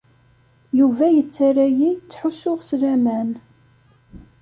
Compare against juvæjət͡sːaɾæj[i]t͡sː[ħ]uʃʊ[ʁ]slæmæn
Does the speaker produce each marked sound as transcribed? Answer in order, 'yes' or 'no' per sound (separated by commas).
yes, yes, yes